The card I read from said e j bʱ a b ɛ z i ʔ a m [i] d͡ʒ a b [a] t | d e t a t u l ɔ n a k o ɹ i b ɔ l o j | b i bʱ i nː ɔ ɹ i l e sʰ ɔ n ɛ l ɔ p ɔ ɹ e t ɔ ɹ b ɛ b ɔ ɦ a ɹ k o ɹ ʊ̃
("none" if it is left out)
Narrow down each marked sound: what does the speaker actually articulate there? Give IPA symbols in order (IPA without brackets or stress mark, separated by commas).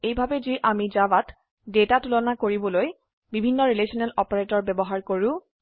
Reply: i, a